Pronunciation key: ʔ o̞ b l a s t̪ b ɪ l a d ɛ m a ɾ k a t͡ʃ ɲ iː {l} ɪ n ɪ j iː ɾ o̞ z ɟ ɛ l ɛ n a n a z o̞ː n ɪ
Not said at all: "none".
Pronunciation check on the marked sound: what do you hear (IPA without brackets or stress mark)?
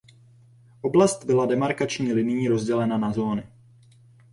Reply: l